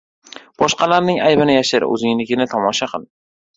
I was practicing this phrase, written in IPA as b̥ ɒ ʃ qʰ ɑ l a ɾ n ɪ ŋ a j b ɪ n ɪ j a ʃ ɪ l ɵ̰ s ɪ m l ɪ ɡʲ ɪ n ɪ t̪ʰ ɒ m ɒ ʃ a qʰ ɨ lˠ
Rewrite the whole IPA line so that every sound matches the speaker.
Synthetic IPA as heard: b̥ ɒ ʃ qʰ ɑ l a ɾ n ɪ ŋ a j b ɪ n ɪ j a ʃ ɪ ɾ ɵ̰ z ɪ ŋ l ɪ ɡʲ ɪ n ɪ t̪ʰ ɒ m ɒ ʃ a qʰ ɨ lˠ